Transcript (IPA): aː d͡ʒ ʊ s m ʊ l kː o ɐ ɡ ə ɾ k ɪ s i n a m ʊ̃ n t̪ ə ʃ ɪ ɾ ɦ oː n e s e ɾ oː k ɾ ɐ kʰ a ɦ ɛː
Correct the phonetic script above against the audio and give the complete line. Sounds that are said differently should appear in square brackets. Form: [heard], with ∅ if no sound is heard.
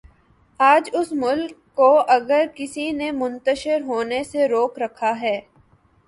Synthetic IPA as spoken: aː d͡ʒ ʊ s m ʊ l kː o ɐ ɡ ə ɾ k ɪ s i n [e] m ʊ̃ n t̪ ə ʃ ɪ ɾ ɦ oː n e s e ɾ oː k ɾ ɐ kʰ a ɦ ɛː